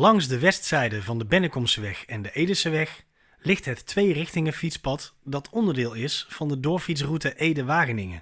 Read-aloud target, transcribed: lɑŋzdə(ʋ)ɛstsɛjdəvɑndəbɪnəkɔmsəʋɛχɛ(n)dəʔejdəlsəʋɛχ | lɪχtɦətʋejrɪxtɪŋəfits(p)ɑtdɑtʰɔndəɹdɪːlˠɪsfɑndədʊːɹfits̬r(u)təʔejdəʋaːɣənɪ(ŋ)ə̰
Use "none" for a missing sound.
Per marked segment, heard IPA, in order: ʋ, n, p, u, ŋ

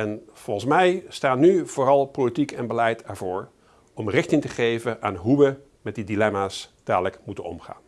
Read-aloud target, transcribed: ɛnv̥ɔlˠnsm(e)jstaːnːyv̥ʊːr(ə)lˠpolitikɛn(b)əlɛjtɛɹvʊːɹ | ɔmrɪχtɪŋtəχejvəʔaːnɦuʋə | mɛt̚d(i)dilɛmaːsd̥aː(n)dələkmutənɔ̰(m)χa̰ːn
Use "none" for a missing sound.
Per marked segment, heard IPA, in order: ɛ, ɑ, b, i, none, m

